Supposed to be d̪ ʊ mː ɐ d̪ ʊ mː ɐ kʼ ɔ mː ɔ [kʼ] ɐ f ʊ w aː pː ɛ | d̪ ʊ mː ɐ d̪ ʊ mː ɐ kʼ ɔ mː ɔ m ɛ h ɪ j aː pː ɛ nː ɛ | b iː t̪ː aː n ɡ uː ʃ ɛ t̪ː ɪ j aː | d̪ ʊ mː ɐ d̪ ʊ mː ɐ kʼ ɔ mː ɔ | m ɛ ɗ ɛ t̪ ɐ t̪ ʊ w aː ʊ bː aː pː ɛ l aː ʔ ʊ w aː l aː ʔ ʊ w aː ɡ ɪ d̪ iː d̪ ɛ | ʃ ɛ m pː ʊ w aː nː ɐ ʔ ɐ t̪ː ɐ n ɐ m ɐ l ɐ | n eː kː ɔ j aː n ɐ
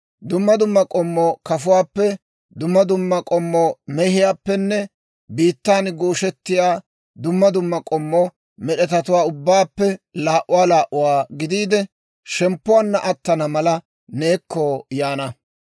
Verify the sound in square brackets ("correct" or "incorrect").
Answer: incorrect